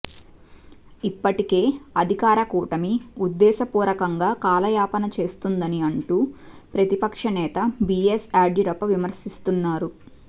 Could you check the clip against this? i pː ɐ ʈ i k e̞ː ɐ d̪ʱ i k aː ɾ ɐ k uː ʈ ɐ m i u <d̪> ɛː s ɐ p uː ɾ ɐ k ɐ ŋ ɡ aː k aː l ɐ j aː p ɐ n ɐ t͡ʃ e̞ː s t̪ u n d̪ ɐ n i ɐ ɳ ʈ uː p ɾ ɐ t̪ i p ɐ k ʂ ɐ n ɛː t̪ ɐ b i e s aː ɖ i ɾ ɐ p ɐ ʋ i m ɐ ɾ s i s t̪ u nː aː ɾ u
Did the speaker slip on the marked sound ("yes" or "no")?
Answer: yes